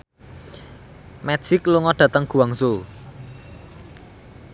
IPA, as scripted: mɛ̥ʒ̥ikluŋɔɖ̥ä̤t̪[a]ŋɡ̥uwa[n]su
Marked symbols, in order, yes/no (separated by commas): no, no